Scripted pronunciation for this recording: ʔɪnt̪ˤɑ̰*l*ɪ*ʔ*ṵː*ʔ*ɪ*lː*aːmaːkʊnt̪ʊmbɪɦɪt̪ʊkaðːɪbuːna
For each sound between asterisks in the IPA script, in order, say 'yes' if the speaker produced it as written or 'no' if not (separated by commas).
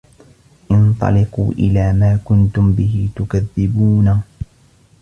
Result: yes, no, yes, no